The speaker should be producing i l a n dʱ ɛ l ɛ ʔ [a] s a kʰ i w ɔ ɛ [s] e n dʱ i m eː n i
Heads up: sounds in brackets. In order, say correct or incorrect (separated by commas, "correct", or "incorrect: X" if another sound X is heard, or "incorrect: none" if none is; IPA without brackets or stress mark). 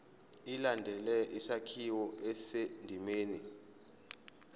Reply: incorrect: i, correct